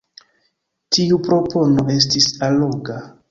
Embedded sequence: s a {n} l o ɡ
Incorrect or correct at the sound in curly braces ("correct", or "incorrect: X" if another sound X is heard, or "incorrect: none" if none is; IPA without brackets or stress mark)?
incorrect: none